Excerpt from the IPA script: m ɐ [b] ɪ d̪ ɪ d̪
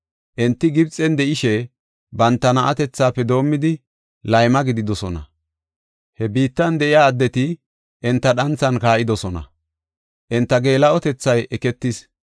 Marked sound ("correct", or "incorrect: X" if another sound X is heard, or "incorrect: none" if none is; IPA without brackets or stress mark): incorrect: ɡ